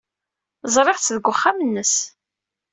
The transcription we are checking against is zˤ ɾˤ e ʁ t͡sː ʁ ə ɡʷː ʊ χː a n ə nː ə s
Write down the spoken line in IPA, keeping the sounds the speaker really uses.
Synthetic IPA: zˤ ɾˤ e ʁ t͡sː ð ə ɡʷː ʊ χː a m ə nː ə s